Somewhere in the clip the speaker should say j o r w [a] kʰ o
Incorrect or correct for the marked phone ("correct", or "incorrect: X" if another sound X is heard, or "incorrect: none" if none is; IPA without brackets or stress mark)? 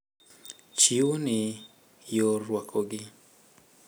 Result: correct